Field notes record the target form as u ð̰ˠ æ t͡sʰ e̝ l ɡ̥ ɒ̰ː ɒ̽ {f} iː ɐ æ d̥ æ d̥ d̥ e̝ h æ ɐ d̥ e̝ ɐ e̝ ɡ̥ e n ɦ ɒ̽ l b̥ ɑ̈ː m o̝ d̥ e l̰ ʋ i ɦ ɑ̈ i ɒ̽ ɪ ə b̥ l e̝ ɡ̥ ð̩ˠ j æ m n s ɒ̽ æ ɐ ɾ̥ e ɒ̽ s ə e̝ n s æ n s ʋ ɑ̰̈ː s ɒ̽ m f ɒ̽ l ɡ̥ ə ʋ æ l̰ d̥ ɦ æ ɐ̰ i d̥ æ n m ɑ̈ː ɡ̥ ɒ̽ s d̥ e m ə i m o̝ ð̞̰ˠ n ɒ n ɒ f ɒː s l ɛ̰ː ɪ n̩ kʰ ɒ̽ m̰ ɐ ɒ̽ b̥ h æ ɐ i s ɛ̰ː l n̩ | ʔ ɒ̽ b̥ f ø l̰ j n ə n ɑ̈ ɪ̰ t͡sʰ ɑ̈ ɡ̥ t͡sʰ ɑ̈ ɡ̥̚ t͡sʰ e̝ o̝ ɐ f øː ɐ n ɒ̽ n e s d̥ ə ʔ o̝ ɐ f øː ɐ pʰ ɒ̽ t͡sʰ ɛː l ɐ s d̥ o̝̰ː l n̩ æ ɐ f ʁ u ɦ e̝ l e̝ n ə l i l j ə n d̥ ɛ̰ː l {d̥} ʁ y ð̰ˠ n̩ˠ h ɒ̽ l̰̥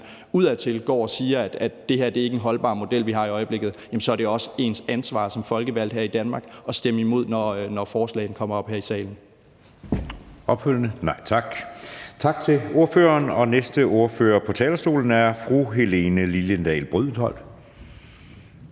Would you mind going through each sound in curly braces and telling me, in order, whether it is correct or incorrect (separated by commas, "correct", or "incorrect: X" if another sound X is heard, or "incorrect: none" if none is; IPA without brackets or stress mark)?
incorrect: s, incorrect: b̥